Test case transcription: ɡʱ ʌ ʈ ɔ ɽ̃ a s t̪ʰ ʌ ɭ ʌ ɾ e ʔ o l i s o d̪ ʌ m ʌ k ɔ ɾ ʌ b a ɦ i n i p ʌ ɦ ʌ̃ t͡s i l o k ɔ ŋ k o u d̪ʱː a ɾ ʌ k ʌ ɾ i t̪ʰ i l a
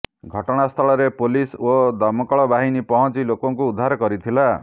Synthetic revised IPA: ɡʱ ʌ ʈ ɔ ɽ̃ a s t̪ʰ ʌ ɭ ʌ ɾ e p o l i s o d̪ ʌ m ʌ k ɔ ɭ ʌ b a ɦ i n i p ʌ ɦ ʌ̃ t͡s i l o k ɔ ŋ k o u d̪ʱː a ɾ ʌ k ʌ ɾ i t̪ʰ i l a